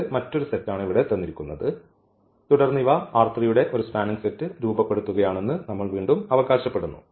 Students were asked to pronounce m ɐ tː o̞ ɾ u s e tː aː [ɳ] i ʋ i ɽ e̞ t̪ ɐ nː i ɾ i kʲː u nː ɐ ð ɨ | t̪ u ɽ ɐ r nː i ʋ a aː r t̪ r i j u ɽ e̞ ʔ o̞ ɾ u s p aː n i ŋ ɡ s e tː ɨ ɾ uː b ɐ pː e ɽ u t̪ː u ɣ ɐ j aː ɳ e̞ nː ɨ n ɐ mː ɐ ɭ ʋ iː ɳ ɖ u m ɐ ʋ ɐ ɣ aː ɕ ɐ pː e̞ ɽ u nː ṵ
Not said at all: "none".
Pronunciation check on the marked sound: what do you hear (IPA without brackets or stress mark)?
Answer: ɳ